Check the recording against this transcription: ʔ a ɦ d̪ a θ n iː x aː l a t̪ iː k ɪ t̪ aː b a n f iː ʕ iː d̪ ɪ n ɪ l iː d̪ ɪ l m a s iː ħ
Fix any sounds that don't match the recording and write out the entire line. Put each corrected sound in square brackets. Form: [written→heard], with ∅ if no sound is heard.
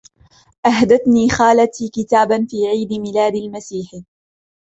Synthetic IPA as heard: ʔ a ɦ d̪ a θ n iː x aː l a t̪ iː k ɪ t̪ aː b a n f iː ʕ iː d̪ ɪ [n→m] ɪ l [iː→aː] d̪ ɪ l m a s iː ħ